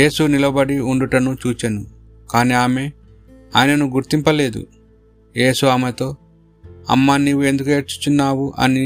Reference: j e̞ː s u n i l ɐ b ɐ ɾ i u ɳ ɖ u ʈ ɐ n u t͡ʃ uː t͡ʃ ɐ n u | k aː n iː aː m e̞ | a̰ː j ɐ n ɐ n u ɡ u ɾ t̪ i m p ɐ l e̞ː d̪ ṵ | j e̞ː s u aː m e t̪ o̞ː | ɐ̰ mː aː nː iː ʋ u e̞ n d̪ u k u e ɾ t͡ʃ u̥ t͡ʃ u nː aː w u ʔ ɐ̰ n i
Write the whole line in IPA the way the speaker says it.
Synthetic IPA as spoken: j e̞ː s u n i l ɐ b ɐ ɽ i u ɳ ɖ u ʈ ɐ n u t͡ʃ uː t͡ʃ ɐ n u | k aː n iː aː m e̞ | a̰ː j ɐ n ɐ n u ɡ u ɾ t̪ i m p ɐ l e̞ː d̪ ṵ | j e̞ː s u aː m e t̪ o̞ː | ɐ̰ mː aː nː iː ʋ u e̞ n d̪ u k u e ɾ t͡ʃ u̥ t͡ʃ u nː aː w u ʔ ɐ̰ n i